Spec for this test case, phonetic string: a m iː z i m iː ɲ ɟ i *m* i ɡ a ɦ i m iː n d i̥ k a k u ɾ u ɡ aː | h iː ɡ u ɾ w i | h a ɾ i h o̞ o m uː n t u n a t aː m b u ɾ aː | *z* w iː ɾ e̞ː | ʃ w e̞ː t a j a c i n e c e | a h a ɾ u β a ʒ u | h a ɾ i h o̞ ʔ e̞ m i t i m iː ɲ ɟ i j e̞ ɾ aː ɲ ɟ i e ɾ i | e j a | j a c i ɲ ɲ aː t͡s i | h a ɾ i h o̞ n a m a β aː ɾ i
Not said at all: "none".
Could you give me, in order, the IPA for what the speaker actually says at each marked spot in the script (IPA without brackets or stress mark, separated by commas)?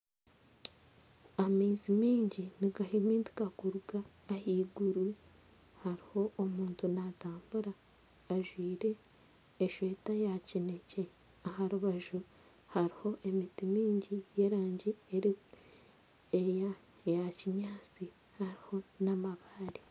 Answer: n, ʒ